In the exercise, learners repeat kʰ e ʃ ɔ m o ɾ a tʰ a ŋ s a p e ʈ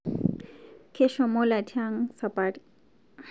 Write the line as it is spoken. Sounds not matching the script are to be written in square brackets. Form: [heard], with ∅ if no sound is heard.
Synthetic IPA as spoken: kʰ e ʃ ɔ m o [l] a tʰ a ŋ s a p [a] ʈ

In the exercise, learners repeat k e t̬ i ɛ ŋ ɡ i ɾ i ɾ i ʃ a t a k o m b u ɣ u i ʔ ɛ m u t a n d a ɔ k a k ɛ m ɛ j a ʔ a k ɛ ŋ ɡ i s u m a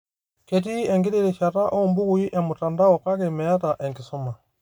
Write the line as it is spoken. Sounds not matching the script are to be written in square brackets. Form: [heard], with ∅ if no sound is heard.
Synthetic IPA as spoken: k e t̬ i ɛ ŋ ɡ i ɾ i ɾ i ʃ a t a [ʔ] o m b u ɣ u i ʔ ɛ m u t a n d a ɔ k a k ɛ m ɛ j a [t] a [ʔ] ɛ ŋ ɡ i s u m a

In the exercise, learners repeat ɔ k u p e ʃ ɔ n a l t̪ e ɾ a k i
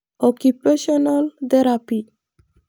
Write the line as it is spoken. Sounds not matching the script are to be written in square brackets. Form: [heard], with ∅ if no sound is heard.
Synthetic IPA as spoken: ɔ k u p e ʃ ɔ n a l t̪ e ɾ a [p] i

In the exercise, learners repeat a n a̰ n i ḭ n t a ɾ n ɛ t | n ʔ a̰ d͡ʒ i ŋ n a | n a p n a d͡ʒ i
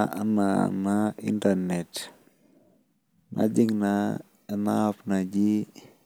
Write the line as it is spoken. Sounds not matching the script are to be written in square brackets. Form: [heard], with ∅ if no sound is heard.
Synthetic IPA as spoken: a n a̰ n [a] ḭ n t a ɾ n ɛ t | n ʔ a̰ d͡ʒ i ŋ n a | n a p n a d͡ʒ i

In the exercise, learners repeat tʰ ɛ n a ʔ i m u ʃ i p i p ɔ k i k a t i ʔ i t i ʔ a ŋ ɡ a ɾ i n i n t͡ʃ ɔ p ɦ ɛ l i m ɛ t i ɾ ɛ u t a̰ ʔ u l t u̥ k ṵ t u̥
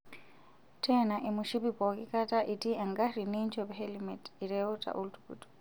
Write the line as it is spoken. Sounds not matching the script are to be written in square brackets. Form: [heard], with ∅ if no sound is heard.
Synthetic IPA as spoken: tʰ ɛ n a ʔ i m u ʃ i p i p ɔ k i k a t [a] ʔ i t i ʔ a ŋ ɡ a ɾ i n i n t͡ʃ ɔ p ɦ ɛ l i m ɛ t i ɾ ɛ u t a̰ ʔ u l t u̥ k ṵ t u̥

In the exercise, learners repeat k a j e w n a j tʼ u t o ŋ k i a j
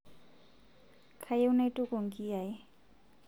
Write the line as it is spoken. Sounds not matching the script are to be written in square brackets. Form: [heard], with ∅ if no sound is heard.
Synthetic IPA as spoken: [kʰ] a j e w n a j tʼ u [k] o ŋ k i a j

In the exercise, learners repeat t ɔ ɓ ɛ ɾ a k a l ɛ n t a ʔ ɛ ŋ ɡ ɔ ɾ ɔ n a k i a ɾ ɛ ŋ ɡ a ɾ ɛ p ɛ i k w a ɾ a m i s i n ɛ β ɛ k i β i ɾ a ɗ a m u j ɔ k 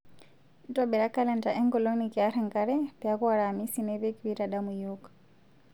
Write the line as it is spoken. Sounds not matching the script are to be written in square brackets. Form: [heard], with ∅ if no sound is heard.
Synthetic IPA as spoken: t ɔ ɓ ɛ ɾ a k a l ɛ n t a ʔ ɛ ŋ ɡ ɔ [l] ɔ n [i] k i a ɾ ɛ ŋ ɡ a ɾ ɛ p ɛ [a] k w a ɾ a m i s i n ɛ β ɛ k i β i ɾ a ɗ a m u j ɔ k

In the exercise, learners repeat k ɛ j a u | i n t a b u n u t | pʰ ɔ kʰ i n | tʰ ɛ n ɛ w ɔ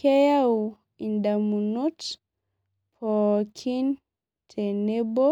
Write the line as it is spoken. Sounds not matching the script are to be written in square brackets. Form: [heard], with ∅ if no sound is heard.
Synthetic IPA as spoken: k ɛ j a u | i n [d] a [m] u n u t | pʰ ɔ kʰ i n | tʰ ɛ n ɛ [b] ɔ

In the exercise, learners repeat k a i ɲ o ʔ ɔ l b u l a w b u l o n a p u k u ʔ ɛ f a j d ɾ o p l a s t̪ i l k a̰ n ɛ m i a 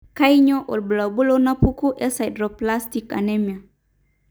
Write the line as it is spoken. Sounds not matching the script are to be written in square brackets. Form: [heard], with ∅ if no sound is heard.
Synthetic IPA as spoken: k a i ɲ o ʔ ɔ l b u l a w b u l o n a p u k u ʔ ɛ [s] a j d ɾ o p l a s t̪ i [∅] k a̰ n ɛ m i a

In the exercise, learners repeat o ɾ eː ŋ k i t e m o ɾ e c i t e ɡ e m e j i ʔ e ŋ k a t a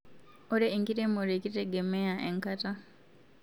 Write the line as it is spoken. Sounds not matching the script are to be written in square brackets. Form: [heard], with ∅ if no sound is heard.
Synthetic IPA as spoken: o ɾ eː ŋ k i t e m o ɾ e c i t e ɡ e m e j [a] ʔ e ŋ k a t a

